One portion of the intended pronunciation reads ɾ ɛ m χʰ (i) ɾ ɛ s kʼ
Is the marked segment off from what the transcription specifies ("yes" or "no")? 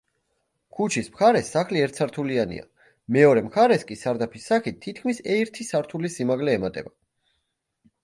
yes